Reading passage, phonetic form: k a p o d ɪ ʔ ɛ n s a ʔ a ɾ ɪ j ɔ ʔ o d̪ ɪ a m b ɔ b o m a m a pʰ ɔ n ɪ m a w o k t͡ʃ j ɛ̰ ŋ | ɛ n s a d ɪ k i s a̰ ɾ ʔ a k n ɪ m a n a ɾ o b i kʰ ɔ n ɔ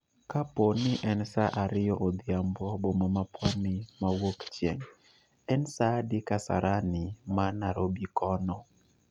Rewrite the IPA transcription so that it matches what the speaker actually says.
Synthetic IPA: k a p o n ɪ ʔ ɛ n s a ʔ a ɾ ɪ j ɔ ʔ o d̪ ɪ a m b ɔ b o m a m a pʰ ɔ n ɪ m a w o k t͡ʃ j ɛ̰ ŋ | ɛ n s a d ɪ k a s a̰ ɾ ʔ a n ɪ m a n a ɾ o b i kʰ ɔ n ɔ